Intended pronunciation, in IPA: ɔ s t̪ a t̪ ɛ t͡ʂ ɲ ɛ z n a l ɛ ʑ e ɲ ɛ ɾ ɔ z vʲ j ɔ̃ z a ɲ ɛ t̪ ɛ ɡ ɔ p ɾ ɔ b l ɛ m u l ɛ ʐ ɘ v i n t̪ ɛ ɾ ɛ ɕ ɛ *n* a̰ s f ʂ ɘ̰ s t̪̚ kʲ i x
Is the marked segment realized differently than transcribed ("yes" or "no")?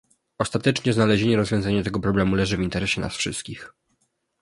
no